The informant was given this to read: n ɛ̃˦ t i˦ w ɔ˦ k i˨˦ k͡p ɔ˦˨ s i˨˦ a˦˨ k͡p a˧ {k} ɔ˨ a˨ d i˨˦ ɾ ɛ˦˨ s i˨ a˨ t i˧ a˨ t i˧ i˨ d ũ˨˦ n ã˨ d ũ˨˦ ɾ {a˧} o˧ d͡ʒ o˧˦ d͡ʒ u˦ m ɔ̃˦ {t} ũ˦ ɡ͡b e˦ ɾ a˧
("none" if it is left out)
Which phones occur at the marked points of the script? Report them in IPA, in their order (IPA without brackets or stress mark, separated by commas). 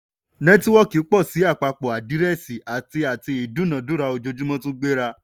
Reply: k͡p, a˧, t